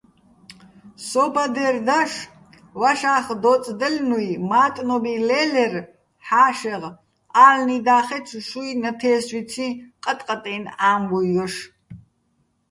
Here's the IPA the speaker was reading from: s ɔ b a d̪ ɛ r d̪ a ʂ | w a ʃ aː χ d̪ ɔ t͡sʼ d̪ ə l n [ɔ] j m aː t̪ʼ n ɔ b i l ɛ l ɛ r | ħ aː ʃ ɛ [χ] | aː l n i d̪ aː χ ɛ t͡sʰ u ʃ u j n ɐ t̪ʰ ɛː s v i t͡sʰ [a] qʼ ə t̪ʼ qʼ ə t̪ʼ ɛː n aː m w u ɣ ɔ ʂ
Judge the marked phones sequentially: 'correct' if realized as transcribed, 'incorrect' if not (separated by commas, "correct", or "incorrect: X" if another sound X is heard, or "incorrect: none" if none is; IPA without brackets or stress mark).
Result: incorrect: u, incorrect: ʁ, incorrect: i